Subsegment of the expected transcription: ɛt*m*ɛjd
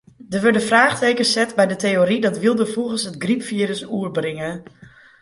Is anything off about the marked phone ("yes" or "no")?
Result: yes